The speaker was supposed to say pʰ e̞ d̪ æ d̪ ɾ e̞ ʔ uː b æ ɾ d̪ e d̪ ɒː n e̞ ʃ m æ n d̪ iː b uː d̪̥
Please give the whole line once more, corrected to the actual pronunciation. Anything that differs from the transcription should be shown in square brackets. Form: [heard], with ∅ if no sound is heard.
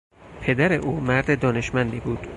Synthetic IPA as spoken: pʰ e̞ d̪ æ [∅] ɾ e̞ ʔ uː [m] æ ɾ d̪ e d̪ ɒː n e̞ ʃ m æ n d̪ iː b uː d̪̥